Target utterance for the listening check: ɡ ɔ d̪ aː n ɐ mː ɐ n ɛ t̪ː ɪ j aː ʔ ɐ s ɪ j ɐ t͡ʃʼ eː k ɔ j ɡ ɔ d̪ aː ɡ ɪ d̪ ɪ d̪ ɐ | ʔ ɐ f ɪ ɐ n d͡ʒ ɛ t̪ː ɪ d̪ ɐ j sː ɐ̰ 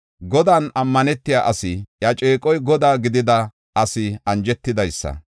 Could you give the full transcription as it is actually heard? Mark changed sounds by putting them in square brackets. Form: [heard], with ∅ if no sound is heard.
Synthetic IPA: ɡ ɔ d̪ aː n ɐ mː ɐ n ɛ t̪ː ɪ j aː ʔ ɐ s ɪ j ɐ t͡ʃʼ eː [kʼ] ɔ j ɡ ɔ d̪ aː ɡ ɪ d̪ ɪ d̪ ɐ | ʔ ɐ [s] ɪ ɐ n d͡ʒ ɛ t̪ː ɪ d̪ ɐ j sː ɐ̰